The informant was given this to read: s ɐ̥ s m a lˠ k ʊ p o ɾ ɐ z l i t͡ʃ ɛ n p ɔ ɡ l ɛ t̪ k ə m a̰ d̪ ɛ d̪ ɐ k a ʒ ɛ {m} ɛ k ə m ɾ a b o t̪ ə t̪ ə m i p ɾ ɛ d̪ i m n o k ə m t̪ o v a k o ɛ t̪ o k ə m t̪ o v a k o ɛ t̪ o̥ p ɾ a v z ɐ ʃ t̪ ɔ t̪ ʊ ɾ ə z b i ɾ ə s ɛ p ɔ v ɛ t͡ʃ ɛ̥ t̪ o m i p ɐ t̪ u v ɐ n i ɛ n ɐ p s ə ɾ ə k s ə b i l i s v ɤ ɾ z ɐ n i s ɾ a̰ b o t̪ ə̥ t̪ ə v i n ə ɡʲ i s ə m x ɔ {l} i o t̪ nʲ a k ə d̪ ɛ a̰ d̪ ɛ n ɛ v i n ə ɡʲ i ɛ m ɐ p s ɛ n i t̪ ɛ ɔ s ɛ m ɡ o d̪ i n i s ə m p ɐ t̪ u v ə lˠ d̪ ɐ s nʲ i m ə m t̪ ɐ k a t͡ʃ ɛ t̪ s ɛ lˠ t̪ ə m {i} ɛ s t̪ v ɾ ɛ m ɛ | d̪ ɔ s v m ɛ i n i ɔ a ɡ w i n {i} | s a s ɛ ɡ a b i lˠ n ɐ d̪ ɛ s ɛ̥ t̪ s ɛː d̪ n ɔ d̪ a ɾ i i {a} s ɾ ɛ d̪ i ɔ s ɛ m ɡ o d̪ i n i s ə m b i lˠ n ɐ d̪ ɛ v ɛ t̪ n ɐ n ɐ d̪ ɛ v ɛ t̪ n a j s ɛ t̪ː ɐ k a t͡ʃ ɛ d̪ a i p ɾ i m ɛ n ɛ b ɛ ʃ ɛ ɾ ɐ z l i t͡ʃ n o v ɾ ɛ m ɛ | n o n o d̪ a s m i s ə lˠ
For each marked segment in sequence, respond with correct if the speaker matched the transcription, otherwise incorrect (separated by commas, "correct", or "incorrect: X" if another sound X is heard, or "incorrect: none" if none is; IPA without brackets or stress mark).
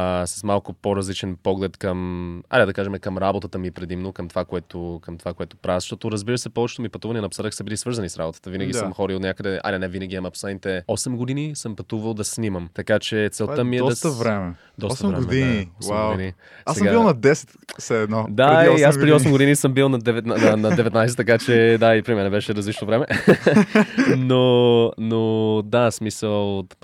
correct, incorrect: ɾ, correct, correct, correct